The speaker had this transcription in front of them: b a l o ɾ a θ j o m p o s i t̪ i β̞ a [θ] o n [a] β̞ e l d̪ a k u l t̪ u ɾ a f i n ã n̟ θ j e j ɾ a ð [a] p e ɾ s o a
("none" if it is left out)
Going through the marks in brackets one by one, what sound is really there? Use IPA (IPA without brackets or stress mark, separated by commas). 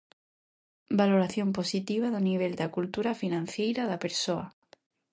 ð, i, a